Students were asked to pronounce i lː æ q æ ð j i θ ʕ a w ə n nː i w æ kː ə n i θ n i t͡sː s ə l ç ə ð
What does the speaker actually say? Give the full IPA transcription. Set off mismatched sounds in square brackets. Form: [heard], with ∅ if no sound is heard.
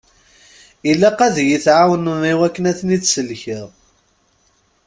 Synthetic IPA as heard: i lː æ q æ ð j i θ ʕ a w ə n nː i w æ kː ə n [æ] θ n i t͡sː s ə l ç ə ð